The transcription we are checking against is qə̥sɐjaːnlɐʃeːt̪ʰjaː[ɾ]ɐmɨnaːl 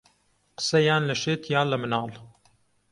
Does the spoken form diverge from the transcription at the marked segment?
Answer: yes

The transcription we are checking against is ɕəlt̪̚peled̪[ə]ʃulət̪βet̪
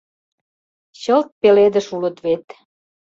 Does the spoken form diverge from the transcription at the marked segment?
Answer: no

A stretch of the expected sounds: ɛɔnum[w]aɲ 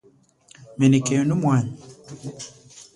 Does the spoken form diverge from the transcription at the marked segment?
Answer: no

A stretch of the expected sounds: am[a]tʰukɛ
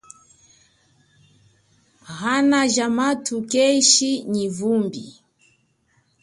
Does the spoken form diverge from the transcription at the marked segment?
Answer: no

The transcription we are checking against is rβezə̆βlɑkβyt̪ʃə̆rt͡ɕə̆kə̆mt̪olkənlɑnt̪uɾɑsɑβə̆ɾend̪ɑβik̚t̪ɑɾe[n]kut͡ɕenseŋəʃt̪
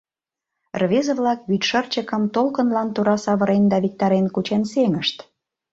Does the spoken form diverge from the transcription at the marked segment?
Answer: no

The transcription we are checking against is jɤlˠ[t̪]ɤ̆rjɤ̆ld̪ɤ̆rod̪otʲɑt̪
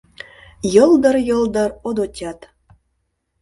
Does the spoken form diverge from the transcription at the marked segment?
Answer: yes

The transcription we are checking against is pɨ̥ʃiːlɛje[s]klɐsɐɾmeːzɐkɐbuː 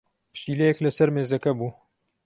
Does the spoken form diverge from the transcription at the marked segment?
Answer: yes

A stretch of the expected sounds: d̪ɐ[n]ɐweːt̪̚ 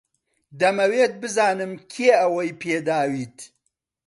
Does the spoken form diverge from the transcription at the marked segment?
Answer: yes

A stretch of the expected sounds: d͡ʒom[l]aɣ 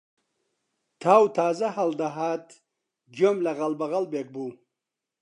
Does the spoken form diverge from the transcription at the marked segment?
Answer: no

